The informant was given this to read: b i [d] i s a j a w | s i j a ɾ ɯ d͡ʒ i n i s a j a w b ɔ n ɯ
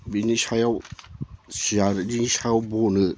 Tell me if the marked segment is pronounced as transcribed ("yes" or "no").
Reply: no